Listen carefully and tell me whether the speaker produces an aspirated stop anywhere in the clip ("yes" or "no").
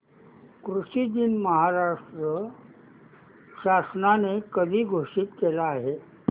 no